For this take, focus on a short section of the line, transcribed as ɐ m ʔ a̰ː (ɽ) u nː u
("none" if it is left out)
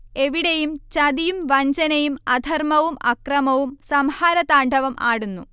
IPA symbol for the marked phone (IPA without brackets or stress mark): ɽ